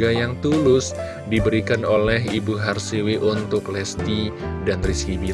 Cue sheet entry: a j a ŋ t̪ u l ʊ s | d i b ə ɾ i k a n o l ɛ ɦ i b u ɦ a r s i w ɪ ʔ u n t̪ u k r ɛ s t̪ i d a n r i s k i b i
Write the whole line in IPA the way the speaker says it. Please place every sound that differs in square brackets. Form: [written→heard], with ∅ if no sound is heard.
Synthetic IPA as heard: a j a ŋ t̪ u l ʊ s | d i b ə ɾ i k a n o l ɛ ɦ i b u ɦ a r s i w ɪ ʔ u n t̪ [u→ʊ] k [r→l] ɛ s t̪ i d a n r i s k i b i

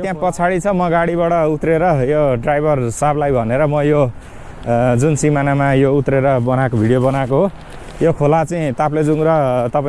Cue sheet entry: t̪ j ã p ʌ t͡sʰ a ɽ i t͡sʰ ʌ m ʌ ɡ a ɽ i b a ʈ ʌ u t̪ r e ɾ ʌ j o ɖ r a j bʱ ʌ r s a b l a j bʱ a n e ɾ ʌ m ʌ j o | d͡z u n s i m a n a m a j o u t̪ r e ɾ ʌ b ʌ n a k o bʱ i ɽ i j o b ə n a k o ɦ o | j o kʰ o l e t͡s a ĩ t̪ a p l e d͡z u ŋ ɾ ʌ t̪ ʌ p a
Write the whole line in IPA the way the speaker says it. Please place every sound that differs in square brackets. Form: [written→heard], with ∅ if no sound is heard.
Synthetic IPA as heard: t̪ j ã p ʌ t͡sʰ a ɽ i t͡sʰ ʌ m ʌ ɡ a ɽ i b a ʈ ʌ u t̪ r e ɾ ʌ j o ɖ r a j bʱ ʌ r s a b l a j bʱ [a→ʌ] n e ɾ ʌ m ʌ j o | d͡z u n s i m a n a m a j o u t̪ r e ɾ ʌ b ʌ n a k o bʱ i ɽ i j o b [ə→ʌ] n a k o ɦ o | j o kʰ o l [e→a] t͡s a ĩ t̪ a p l e d͡z u ŋ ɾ ʌ t̪ ʌ p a

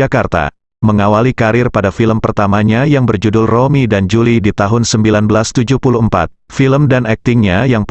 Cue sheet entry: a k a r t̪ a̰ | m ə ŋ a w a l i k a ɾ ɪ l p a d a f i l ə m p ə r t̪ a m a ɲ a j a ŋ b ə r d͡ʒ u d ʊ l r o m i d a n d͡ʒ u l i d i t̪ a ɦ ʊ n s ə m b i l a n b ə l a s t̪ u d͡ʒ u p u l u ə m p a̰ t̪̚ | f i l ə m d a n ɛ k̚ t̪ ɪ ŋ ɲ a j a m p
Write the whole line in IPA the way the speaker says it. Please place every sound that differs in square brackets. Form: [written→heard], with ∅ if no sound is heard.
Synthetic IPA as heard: a k a r t̪ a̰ | m ə ŋ a w a l i k a ɾ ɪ [l→r] p a d a f i l ə m p ə r t̪ a m a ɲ a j a ŋ b ə r d͡ʒ u d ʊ l r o m i d a n d͡ʒ u l i d i t̪ a ɦ ʊ n s ə m b i l a n b ə l a s t̪ u d͡ʒ u p u l u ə m p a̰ t̪̚ | f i l ə m d a n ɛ k̚ t̪ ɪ ŋ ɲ a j a [m→ŋ] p

